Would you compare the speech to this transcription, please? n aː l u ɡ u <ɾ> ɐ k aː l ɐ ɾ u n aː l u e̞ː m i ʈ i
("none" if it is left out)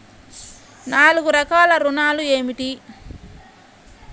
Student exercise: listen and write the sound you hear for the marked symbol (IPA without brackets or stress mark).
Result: ɾ